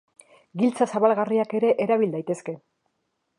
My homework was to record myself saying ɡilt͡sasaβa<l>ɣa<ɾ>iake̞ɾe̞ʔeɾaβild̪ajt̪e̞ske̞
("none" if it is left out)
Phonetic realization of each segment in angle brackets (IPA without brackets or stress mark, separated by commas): l, r